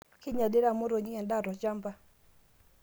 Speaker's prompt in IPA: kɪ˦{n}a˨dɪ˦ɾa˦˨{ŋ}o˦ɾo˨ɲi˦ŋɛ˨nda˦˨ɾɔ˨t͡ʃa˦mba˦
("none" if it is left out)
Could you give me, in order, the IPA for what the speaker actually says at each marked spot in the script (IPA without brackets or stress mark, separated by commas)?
ɲ, m